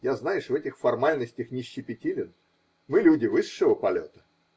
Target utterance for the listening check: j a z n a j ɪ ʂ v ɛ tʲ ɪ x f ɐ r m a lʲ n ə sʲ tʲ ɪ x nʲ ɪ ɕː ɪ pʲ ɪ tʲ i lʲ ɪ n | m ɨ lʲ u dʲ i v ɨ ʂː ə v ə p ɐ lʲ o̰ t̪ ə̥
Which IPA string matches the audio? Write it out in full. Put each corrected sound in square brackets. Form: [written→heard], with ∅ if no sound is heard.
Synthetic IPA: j a z n a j ɪ ʂ v ɛ tʲ ɪ x f ɐ r m a lʲ n ə sʲ tʲ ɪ x nʲ ɪ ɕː ɪ pʲ ɪ tʲ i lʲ ɪ n | m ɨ lʲ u dʲ [i→ɪ] v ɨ ʂː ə v ə p ɐ lʲ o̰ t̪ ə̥

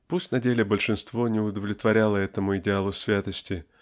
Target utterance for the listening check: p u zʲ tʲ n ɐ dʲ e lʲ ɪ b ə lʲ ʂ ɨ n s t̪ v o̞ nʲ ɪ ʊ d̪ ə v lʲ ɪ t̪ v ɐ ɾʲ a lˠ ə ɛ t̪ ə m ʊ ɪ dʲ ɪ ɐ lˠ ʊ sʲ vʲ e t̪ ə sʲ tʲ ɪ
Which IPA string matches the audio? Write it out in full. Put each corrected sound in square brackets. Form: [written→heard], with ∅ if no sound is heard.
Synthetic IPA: p u [zʲ→sʲ] tʲ n ɐ dʲ e lʲ ɪ b ə lʲ ʂ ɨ n s t̪ v o̞ nʲ ɪ ʊ d̪ ə v lʲ ɪ t̪ v ɐ ɾʲ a lˠ ə ɛ t̪ ə m ʊ ɪ dʲ ɪ [ɐ→a] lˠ ʊ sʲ vʲ [e→a] t̪ ə sʲ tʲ ɪ

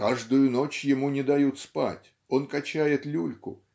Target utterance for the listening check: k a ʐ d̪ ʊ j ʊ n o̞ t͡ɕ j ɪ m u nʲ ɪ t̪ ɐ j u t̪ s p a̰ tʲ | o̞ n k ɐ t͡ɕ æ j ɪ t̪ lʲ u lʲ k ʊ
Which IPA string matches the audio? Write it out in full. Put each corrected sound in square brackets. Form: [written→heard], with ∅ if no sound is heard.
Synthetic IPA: k a ʐ d̪ ʊ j ʊ n o̞ t͡ɕ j ɪ m u nʲ ɪ [t̪→d̪] ɐ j u t̪ s p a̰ tʲ | o̞ n k ɐ t͡ɕ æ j ɪ t̪ lʲ u lʲ k ʊ

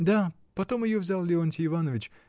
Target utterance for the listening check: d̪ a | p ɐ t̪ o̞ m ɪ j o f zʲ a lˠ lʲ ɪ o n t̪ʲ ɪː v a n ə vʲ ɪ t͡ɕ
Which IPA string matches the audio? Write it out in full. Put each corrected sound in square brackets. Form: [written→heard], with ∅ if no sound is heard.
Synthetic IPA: d̪ a | p ɐ t̪ o̞ m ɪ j o [f→v] zʲ a lˠ lʲ ɪ o n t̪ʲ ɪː v a n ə vʲ ɪ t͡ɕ

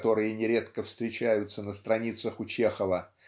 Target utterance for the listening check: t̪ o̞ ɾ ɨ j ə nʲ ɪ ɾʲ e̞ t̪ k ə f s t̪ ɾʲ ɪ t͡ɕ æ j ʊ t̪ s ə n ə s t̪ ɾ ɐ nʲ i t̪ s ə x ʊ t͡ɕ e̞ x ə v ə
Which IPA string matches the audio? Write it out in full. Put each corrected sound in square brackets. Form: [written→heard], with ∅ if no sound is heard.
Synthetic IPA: t̪ o̞ ɾ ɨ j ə nʲ ɪ ɾʲ e̞ t̪ k ə f s t̪ ɾʲ ɪ t͡ɕ æ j ʊ t̪ s ə n ə s t̪ ɾ ɐ nʲ i t̪ s ə x ʊ t͡ɕ e̞ x ə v ə

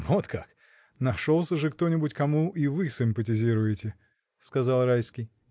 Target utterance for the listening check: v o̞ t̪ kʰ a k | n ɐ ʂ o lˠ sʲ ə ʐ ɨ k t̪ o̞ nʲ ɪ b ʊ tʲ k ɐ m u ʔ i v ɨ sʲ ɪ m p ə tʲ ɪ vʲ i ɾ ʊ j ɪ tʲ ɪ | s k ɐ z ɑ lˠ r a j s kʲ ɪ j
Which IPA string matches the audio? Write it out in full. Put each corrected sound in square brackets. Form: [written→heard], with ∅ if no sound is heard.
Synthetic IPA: v o̞ t̪ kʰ a k | n ɐ ʂ o lˠ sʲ ə ʐ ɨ k t̪ o̞ nʲ ɪ b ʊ tʲ k ɐ m u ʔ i v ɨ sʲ ɪ m p ə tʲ ɪ [vʲ→zʲ] i ɾ ʊ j ɪ tʲ ɪ | s k ɐ z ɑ lˠ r a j s kʲ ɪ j

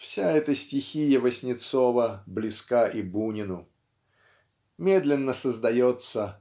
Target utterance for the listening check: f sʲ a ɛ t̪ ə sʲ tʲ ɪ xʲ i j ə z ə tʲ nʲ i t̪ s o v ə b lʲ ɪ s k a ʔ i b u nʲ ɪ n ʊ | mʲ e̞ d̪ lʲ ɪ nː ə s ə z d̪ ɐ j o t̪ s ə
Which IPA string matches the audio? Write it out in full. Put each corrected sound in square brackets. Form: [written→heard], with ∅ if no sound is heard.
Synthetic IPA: f sʲ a ɛ t̪ ə sʲ tʲ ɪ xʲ i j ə [z→v] ə [tʲ→sʲ] nʲ [i→ɪ] t̪ s o v ə b lʲ ɪ s k a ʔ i b u nʲ ɪ n ʊ | mʲ e̞ d̪ lʲ ɪ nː ə s ə z d̪ ɐ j o t̪ s ə

